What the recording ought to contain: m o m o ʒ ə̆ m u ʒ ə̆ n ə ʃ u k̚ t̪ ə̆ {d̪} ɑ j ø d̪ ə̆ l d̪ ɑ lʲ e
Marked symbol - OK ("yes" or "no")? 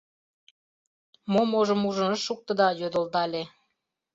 yes